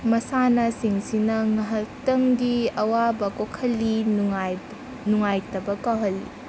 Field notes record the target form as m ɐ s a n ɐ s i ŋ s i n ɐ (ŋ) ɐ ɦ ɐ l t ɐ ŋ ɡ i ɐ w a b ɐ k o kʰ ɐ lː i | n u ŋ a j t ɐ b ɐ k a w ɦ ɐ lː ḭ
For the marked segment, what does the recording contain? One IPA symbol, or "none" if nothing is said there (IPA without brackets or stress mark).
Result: ŋ